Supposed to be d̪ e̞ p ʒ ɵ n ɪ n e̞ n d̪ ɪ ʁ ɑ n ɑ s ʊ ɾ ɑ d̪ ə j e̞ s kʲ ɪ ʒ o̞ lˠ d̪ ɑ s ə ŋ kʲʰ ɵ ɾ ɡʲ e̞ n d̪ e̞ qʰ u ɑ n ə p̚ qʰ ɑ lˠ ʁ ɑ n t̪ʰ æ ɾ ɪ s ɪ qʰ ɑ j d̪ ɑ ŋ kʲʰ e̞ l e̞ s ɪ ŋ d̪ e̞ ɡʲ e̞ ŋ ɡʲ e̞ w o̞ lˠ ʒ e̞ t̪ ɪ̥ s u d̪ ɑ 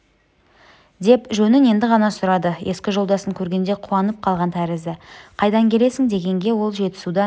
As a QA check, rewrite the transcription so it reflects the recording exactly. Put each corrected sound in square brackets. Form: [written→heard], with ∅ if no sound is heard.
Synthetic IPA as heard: d̪ e̞ p ʒ ɵ n ɪ n e̞ n d̪ ɪ ʁ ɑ n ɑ s ʊ ɾ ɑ d̪ ə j e̞ s kʲ ɪ ʒ o̞ lˠ d̪ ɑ s ə ŋ kʲʰ ɵ ɾ ɡʲ e̞ n d̪ e̞ qʰ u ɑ n ə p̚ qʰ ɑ lˠ ʁ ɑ n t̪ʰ æ ɾ ɪ [s→z] ɪ qʰ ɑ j d̪ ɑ ŋ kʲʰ e̞ l e̞ s ɪ ŋ d̪ e̞ ɡʲ e̞ ŋ ɡʲ e̞ w o̞ lˠ ʒ e̞ t̪ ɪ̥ s u d̪ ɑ